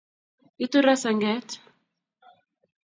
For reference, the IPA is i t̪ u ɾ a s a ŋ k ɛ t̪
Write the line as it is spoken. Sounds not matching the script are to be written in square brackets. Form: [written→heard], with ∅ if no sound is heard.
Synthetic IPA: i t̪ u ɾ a s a ŋ [k→ɡ] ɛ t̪